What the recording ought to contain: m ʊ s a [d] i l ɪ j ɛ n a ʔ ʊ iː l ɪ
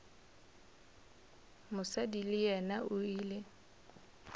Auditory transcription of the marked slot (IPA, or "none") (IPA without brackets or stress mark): d